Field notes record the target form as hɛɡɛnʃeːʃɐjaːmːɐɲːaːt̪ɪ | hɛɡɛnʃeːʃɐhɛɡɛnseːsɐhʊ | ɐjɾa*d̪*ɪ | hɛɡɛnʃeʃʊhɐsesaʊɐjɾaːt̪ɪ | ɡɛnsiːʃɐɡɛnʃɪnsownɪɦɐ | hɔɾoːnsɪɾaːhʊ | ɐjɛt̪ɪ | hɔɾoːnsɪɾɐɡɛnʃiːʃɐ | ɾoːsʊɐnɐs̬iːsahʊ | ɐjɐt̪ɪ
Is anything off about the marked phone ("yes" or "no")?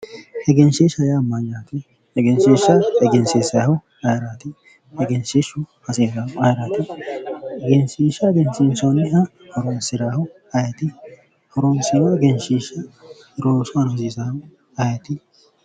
yes